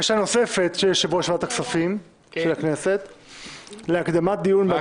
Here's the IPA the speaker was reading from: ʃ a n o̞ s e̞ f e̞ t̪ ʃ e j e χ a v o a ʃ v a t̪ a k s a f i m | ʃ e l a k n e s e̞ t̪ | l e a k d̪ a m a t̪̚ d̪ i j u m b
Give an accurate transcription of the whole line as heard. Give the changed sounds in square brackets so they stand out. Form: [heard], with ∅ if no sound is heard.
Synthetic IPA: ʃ a n o̞ s e̞ f e̞ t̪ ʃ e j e [ʃ] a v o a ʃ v a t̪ a k s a f i m | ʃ e l a k n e s e̞ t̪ | l e a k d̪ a m a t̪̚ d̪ i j u [n] b